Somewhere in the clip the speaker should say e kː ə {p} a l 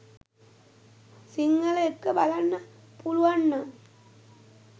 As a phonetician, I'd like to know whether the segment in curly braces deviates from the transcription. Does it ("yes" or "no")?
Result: yes